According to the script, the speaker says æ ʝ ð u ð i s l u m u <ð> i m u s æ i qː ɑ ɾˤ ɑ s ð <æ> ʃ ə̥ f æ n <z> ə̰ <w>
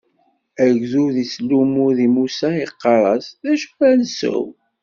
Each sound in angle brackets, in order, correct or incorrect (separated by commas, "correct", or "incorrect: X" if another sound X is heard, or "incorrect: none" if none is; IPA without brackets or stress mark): correct, correct, incorrect: s, correct